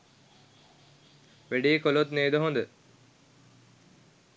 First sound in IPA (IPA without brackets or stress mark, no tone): ʋ